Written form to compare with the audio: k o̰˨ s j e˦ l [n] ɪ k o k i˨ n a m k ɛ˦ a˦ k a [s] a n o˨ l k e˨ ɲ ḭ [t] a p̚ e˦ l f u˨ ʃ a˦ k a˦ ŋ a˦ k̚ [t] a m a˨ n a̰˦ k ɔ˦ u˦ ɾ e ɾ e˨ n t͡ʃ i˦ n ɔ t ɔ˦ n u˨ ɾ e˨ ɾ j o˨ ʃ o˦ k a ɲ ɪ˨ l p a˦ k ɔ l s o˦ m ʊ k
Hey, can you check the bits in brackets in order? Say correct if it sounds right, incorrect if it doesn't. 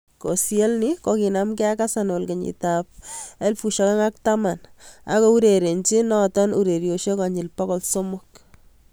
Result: correct, correct, correct, correct

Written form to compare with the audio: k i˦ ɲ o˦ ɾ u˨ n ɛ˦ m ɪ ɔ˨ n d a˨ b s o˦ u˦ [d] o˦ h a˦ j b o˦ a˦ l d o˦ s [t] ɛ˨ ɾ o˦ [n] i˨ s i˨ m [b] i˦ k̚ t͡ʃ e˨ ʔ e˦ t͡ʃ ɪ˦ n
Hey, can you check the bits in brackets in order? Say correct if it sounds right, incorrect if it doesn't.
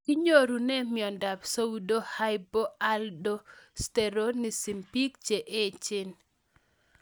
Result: correct, correct, correct, incorrect: p

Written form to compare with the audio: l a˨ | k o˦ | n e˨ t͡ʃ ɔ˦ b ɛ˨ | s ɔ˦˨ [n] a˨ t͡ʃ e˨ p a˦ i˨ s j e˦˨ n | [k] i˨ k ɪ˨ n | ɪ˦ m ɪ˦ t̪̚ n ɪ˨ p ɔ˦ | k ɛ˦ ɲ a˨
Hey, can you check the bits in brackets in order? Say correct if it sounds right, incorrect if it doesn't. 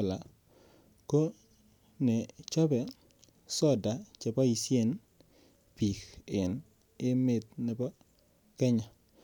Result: incorrect: d, incorrect: p

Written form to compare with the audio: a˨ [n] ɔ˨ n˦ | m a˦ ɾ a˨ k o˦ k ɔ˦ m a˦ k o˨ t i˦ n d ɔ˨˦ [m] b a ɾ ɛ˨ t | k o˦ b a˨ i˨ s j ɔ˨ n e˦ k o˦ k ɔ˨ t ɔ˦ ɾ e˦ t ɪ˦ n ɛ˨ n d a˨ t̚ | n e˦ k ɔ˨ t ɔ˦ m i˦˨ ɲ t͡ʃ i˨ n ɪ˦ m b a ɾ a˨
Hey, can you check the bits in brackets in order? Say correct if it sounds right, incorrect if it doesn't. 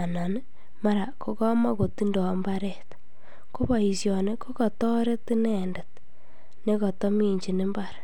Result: correct, correct

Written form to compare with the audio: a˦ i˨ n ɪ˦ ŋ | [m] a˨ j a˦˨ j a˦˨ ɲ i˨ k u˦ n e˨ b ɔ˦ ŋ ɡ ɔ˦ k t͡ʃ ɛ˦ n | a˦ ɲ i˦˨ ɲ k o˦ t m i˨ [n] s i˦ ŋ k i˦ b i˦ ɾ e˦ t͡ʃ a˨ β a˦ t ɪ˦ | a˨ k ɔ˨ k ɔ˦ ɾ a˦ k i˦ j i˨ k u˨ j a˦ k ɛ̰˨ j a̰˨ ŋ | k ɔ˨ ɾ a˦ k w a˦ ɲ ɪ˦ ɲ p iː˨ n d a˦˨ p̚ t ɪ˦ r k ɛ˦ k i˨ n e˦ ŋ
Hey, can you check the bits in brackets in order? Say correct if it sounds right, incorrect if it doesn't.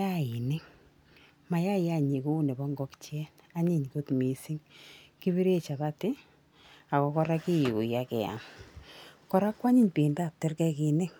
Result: correct, incorrect: none

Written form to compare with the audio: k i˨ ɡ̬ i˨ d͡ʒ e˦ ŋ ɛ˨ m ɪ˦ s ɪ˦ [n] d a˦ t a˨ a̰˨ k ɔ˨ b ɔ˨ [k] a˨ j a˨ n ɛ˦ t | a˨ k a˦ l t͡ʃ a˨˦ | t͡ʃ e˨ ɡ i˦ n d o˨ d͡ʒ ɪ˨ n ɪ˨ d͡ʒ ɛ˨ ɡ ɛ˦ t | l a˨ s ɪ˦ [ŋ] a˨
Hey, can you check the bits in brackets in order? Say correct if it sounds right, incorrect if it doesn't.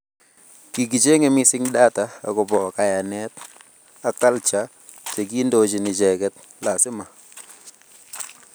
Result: incorrect: ŋ, correct, incorrect: m

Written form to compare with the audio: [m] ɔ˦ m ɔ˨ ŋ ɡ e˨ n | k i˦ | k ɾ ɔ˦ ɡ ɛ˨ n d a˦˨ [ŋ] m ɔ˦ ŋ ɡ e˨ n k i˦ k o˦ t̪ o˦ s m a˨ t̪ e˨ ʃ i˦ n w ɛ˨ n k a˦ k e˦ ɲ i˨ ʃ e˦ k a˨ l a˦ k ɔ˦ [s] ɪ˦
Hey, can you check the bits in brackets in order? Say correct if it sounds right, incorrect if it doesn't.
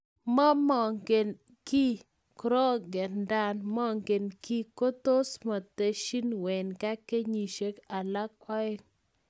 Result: correct, incorrect: n, incorrect: none

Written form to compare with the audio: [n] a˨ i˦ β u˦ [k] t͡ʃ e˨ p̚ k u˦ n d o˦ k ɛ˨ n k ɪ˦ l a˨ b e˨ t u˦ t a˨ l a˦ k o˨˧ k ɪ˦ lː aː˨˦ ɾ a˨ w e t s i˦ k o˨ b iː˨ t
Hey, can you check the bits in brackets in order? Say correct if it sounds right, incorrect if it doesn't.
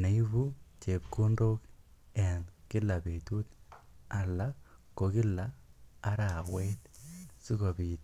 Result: correct, incorrect: none

